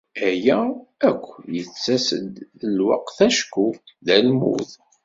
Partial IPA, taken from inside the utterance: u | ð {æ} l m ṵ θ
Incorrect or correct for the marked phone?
correct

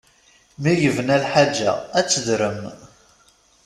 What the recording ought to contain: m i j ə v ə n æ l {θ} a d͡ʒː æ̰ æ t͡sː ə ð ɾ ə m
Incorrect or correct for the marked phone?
incorrect: ħ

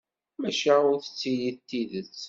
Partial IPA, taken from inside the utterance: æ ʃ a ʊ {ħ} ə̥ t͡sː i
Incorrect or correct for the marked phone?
incorrect: θ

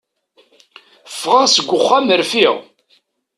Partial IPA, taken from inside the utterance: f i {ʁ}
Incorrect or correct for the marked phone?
correct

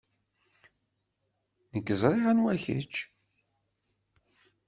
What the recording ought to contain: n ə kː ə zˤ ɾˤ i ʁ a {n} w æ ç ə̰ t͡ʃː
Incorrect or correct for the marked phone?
correct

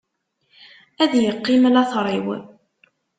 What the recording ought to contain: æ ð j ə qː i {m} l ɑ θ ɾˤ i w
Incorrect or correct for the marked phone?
correct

